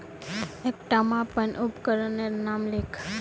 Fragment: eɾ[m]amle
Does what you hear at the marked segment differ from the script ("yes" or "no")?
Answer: yes